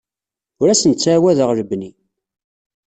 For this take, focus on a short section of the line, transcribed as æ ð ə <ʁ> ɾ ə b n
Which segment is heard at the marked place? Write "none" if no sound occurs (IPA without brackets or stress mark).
ʁ